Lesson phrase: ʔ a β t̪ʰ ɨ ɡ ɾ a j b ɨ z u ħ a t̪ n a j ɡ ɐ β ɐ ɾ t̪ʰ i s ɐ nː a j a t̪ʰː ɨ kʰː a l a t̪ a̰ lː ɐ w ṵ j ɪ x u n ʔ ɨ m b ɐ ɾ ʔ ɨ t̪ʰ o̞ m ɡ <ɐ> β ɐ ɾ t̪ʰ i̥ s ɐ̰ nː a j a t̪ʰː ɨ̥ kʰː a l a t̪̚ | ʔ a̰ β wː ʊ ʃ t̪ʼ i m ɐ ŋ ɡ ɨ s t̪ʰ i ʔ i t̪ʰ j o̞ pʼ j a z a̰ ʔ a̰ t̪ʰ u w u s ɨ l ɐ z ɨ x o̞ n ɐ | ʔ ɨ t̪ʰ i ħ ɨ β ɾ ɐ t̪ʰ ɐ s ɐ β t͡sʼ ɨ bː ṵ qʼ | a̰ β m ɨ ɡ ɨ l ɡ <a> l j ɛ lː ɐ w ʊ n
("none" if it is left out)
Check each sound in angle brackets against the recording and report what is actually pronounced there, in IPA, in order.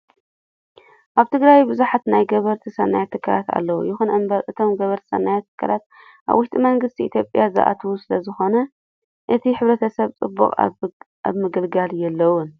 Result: ɐ, a

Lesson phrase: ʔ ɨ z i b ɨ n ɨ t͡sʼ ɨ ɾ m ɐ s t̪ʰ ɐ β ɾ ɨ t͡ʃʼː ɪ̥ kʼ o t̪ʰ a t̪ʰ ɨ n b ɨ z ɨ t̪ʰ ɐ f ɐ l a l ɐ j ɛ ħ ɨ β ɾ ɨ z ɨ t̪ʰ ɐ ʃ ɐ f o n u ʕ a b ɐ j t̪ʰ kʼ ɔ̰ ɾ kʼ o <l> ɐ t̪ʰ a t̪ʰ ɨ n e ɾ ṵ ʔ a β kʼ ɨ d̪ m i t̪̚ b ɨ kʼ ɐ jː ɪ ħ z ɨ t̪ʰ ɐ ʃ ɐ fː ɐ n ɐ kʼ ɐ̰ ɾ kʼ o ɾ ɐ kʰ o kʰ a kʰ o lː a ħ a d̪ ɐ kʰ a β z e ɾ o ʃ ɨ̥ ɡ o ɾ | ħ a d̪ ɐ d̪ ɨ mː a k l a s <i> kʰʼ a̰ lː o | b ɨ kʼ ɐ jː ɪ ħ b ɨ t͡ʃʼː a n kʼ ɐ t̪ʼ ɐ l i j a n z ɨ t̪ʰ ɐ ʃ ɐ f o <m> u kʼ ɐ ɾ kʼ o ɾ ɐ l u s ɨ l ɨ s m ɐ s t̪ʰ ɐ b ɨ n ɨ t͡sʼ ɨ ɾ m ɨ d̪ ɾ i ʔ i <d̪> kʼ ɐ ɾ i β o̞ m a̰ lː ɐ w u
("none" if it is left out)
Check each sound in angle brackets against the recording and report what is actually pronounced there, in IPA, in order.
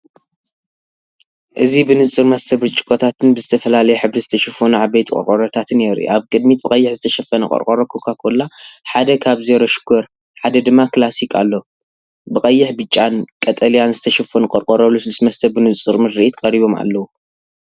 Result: ɾ, i, n, t̪

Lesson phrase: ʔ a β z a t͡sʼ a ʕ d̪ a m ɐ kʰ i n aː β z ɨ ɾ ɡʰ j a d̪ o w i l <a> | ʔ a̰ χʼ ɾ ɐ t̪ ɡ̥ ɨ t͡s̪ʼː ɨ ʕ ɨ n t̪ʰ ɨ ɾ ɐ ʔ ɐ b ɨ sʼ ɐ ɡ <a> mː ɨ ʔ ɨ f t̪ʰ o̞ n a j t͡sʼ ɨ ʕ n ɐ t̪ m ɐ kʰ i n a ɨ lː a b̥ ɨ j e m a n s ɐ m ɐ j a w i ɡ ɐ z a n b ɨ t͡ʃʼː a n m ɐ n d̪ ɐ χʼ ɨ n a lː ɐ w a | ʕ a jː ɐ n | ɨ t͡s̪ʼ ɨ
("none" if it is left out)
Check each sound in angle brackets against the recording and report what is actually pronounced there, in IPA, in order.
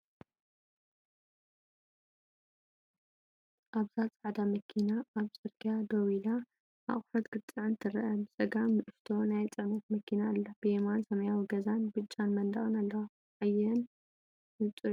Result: a, a

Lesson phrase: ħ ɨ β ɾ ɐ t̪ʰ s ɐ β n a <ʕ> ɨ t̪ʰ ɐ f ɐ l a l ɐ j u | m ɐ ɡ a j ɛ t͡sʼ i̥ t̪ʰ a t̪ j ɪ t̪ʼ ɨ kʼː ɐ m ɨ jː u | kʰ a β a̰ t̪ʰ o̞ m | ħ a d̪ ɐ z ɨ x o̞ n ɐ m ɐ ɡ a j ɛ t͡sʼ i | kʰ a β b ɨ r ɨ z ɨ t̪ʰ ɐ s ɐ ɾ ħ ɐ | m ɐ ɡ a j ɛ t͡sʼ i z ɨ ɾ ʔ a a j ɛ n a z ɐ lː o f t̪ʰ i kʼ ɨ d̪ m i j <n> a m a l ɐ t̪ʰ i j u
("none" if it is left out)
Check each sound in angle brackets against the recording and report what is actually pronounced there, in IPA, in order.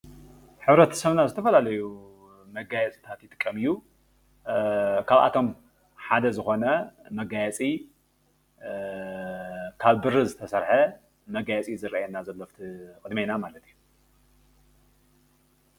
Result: z, n

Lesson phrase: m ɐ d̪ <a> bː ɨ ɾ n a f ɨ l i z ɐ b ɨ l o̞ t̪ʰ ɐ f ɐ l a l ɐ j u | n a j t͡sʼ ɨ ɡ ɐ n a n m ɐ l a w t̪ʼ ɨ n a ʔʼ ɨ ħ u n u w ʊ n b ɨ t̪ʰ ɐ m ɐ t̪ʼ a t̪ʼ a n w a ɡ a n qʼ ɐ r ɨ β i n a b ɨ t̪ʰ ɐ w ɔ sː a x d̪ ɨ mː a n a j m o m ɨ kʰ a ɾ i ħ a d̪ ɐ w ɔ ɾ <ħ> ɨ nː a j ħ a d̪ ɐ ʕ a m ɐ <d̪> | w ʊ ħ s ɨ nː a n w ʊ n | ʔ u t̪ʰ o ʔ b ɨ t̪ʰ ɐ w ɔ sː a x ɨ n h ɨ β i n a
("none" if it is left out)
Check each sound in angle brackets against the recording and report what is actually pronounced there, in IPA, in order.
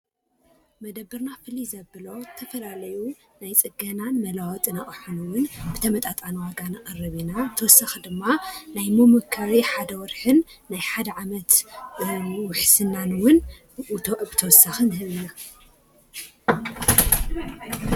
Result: ɐ, ħ, t̪

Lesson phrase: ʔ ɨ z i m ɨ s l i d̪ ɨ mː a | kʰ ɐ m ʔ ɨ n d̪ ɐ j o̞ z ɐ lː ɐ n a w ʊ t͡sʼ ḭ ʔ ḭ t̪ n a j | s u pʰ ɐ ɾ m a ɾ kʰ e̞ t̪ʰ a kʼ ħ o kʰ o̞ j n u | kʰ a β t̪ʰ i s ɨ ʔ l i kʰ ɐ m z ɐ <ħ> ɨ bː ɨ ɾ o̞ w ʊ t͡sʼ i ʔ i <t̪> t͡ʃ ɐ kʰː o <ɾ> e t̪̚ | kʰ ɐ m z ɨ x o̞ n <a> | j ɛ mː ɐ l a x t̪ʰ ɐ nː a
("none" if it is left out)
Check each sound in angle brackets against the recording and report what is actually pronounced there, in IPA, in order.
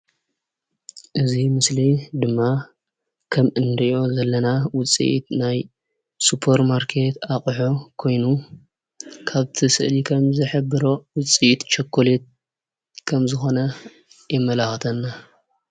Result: ħ, t̪, l, ɐ

